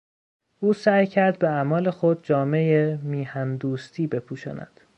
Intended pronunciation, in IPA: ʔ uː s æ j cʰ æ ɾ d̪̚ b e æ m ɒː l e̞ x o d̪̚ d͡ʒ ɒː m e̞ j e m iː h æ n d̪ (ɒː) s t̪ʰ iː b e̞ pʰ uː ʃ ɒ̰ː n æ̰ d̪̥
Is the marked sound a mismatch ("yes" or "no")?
yes